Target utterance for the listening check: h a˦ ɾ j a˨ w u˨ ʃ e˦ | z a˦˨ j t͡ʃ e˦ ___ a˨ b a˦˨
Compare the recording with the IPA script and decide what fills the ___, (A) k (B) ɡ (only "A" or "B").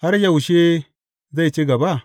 B